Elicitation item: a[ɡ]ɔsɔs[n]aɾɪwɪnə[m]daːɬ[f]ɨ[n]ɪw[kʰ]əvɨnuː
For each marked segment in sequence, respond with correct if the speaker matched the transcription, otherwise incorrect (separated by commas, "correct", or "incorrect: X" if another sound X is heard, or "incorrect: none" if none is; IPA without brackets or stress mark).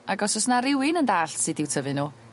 correct, correct, incorrect: n, incorrect: s, incorrect: d, incorrect: tʰ